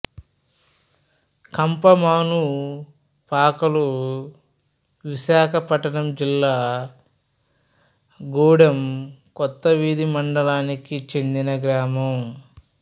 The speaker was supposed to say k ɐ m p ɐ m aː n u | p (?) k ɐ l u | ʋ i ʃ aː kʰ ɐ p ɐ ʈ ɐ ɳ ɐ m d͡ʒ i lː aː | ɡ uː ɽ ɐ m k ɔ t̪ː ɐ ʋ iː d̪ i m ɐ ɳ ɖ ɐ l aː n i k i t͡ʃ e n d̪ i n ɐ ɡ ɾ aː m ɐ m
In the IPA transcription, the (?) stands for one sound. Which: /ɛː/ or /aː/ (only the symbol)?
aː